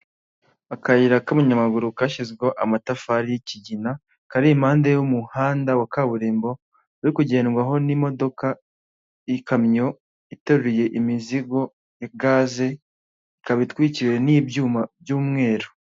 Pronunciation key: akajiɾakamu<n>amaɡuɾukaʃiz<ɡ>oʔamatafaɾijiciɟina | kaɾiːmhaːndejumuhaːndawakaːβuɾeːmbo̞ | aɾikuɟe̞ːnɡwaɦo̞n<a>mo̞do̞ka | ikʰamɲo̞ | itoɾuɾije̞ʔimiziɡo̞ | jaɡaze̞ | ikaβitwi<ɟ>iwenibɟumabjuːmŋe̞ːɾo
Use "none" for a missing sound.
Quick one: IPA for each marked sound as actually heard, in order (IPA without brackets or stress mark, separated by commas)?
ɲ, ɡ, i, c